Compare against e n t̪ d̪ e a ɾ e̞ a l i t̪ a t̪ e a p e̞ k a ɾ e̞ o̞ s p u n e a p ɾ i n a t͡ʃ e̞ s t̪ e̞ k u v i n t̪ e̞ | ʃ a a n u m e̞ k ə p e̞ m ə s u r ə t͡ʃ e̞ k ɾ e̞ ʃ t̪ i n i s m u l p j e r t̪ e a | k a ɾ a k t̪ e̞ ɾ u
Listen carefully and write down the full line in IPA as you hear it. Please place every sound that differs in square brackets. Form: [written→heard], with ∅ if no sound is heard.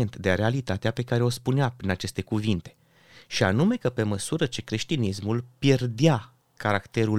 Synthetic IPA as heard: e n t̪ d̪ e a ɾ e̞ a l i t̪ a t̪ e a p e̞ k a ɾ e̞ o̞ s p u n e a p ɾ i n a t͡ʃ e̞ s t̪ e̞ k u v i n t̪ e̞ | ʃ [a→i] a n u m e̞ k ə p e̞ m ə s u [r→ɾ] ə t͡ʃ e̞ k ɾ e̞ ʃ t̪ i n i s m u l p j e r [t̪→d̪] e a | k a ɾ a k t̪ e̞ ɾ u